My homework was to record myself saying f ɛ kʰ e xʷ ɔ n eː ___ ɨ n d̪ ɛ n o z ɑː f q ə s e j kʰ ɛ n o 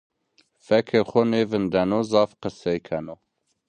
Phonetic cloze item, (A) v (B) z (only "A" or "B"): A